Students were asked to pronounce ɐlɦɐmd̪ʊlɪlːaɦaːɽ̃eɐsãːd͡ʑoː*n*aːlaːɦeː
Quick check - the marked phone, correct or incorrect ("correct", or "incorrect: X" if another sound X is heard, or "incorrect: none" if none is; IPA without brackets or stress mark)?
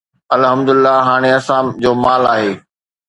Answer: incorrect: m